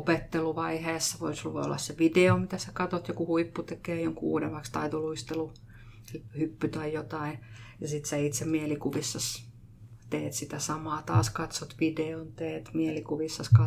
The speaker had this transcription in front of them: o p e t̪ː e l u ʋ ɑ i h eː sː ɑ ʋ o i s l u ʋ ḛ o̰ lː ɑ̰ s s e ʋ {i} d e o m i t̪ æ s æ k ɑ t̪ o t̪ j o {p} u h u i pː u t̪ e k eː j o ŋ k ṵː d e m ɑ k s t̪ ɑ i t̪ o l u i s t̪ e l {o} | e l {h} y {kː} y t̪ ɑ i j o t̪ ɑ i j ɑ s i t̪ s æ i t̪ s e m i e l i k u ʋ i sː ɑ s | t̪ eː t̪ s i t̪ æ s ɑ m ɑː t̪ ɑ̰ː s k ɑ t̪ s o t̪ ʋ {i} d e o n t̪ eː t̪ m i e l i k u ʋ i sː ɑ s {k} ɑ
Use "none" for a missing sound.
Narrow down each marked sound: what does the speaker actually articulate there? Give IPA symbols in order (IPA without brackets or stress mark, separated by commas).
i, k, u, h, pː, i, k